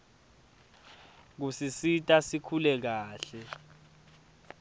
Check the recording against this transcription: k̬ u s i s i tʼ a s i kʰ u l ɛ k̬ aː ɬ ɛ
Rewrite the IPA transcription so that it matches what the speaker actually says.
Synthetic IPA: k̬ u s i s i tʼ a s i kʰ u l ɛ k̬ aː ɬ ɛ